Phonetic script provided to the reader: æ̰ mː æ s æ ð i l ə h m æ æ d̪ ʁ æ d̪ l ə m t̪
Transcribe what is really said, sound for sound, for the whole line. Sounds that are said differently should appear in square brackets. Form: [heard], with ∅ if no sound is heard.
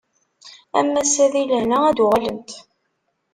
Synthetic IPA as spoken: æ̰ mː æ s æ ð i l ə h [n] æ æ d̪ ʁ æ [∅] l ə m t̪